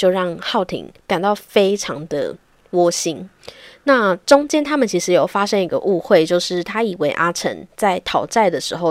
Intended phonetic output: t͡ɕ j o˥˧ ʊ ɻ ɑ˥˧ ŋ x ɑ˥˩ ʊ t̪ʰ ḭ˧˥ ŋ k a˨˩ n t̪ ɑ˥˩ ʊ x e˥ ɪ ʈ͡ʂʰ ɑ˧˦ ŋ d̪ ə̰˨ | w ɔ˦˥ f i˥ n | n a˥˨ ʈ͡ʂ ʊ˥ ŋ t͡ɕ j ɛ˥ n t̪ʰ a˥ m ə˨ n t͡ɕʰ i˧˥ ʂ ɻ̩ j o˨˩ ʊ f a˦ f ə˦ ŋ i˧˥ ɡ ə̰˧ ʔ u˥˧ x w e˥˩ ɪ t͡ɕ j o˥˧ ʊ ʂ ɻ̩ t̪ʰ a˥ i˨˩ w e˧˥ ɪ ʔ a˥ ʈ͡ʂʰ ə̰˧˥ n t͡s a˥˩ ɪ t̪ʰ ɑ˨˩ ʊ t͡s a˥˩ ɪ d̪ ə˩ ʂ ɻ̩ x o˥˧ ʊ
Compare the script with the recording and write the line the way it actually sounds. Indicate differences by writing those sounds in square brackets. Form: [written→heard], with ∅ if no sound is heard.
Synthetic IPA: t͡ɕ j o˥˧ ʊ ɻ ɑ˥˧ ŋ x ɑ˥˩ ʊ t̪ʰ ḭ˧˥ ŋ k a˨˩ n t̪ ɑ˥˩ ʊ [x→f] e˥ ɪ ʈ͡ʂʰ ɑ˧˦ ŋ d̪ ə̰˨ | w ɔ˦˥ [f→ɕ] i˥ n | n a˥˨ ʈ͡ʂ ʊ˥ ŋ t͡ɕ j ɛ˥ n t̪ʰ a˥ m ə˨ n t͡ɕʰ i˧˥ ʂ ɻ̩ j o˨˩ ʊ f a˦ [f→ʂ] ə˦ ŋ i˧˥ ɡ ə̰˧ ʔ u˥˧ x w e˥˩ ɪ t͡ɕ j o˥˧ ʊ ʂ ɻ̩ t̪ʰ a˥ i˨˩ w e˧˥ ɪ ʔ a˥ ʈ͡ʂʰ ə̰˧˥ n t͡s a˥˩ ɪ t̪ʰ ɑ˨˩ ʊ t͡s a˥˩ ɪ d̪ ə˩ ʂ ɻ̩ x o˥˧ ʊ